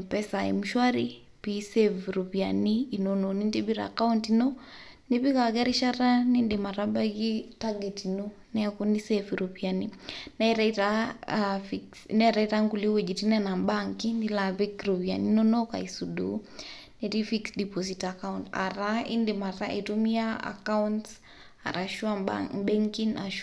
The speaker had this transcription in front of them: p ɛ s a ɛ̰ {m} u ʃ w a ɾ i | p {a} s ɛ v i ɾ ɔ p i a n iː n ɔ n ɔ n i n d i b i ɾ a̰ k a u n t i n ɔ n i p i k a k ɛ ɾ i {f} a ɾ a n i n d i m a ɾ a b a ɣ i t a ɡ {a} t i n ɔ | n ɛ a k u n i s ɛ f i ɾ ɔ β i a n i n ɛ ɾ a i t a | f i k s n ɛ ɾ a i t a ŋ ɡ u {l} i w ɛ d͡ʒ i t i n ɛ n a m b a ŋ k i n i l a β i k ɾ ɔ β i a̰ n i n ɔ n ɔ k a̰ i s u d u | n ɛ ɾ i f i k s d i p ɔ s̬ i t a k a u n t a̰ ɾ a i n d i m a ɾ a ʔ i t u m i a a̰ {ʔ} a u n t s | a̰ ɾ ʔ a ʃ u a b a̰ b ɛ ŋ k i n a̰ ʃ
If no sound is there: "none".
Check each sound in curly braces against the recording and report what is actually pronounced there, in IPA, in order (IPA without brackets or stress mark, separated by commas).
m, i, ʃ, ɛ, l, k